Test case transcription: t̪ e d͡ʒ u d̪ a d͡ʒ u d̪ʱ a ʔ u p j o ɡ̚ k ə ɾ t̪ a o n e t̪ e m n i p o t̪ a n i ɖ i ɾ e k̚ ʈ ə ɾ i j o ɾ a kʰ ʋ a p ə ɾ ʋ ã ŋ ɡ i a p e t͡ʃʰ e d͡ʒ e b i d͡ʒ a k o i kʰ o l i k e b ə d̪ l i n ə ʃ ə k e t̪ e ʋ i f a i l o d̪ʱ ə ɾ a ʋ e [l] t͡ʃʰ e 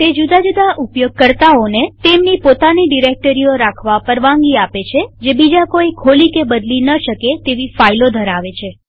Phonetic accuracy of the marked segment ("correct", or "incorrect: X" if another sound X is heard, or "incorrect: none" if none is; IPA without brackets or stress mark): incorrect: none